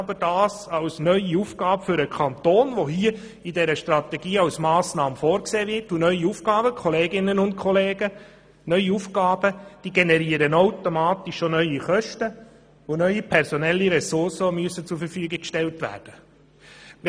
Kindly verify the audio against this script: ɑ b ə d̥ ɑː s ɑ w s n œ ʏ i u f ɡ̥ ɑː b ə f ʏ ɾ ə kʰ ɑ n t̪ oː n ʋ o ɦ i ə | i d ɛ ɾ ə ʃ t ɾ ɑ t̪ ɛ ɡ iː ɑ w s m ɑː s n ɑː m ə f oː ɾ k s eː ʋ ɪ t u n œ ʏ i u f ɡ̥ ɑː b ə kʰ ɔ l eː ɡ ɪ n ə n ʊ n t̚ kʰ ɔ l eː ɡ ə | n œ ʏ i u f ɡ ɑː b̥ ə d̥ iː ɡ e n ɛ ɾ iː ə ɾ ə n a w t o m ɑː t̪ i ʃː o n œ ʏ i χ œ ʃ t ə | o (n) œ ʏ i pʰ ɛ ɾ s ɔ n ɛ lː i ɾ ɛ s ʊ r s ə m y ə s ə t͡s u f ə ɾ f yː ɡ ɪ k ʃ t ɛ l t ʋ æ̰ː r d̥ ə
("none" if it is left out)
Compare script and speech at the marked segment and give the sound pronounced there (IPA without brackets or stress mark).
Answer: n